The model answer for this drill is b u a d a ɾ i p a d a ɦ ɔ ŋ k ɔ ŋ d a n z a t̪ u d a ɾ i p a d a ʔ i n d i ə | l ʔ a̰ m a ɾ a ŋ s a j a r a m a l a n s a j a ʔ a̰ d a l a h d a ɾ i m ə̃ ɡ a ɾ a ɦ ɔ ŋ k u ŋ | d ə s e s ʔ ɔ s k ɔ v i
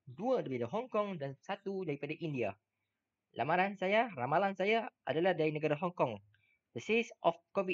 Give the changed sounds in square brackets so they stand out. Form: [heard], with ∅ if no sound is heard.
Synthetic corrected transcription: [d] u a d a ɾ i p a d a ɦ ɔ ŋ k ɔ ŋ d a n [s] a t̪ u d a ɾ i p a d a ʔ i n d i [a] | l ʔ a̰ m a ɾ a [n] s a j a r a m a l a n s a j a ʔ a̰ d a l a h d a ɾ i [n] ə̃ ɡ a ɾ a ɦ ɔ ŋ k [ɔ] ŋ | d ə s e s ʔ ɔ [f] k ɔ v i